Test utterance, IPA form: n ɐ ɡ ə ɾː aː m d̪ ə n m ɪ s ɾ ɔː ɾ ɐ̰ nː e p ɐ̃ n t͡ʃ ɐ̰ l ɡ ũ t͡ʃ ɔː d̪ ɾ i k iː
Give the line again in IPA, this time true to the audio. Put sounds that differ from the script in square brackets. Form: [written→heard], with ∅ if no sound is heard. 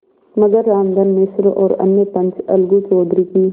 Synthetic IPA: [n→m] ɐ ɡ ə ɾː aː m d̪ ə n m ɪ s ɾ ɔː ɾ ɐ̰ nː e p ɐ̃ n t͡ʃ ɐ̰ l ɡ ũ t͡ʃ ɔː d̪ ɾ i k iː